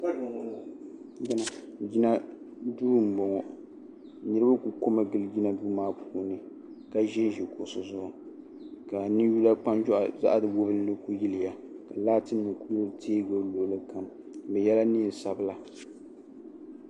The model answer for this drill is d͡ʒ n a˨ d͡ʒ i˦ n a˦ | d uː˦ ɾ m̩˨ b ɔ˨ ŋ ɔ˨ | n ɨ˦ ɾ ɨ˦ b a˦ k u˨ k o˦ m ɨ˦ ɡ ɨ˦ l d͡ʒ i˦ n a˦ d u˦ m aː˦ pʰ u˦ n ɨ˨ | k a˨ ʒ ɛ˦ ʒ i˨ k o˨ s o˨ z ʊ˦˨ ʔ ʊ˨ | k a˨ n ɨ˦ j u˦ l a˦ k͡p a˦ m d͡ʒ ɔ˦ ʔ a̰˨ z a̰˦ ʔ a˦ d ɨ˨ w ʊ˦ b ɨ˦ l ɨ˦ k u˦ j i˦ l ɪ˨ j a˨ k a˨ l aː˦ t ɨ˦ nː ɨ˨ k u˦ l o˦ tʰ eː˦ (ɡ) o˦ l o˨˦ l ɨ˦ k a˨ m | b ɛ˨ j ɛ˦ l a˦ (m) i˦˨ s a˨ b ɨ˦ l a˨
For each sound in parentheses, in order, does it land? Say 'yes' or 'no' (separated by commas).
yes, no